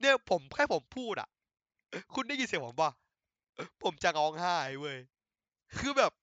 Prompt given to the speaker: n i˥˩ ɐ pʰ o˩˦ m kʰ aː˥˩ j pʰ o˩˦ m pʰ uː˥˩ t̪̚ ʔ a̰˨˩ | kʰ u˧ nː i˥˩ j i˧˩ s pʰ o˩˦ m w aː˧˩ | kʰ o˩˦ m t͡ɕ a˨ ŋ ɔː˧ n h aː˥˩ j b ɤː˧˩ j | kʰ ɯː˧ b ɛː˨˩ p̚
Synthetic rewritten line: n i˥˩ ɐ pʰ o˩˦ m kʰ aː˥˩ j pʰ o˩˦ m pʰ uː˥˩ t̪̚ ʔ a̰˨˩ | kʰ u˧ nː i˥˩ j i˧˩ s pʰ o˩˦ m w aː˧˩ | pʰ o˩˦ m t͡ɕ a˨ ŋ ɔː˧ ŋ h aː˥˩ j w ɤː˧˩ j | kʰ ɯː˧ b ɛː˨˩ p̚